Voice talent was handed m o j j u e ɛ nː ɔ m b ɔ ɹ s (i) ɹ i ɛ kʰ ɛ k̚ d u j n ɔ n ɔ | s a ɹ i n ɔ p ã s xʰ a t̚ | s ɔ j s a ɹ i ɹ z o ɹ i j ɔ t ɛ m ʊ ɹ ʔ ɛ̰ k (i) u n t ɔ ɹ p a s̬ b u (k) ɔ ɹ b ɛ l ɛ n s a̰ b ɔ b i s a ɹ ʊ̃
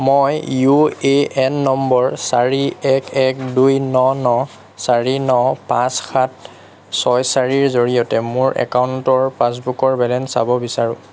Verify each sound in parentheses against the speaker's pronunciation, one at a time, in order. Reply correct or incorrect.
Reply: incorrect, incorrect, correct

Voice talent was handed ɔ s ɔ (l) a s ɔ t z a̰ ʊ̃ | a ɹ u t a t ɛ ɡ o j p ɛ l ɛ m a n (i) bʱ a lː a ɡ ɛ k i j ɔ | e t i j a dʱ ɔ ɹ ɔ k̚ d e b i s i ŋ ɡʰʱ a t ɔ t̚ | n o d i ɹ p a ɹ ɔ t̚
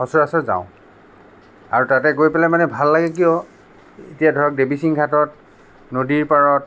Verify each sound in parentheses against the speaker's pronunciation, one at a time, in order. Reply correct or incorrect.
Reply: incorrect, incorrect

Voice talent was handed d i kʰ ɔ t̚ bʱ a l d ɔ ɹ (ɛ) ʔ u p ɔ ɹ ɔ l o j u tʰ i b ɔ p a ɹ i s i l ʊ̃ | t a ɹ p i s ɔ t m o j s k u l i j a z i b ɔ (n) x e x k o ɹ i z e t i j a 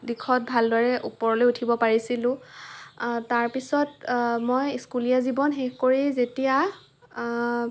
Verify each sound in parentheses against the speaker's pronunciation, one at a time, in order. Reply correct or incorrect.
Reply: correct, correct

